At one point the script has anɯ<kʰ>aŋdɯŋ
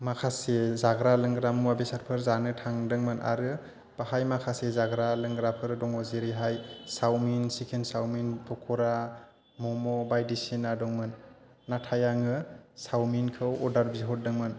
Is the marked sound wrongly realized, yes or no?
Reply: yes